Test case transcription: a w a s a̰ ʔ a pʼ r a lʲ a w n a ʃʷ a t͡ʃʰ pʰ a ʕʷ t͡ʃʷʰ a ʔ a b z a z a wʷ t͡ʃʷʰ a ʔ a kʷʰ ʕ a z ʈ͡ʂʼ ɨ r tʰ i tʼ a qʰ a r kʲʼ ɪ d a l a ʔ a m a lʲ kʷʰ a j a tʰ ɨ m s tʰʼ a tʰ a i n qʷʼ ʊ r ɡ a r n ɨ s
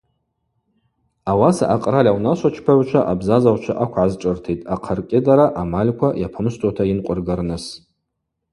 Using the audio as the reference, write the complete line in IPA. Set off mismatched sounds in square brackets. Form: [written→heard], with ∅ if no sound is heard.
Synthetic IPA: a w a s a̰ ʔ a [pʼ→qʼ] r a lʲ a w n a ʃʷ a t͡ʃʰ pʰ a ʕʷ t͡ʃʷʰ a ʔ a b z a z a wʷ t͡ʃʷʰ a ʔ a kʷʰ ʕ a z ʈ͡ʂʼ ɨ r tʰ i tʼ a qʰ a r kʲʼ ɪ d a [l→ɾ] a ʔ a m a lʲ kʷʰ a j a [tʰ→pʰ] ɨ m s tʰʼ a tʰ a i n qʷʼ ʊ r ɡ a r n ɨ s